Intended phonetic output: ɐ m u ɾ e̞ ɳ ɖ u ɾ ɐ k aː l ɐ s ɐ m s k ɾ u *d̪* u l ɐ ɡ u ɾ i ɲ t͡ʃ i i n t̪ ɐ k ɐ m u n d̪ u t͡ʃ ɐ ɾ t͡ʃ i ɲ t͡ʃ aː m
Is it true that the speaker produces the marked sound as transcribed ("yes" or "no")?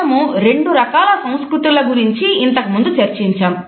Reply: no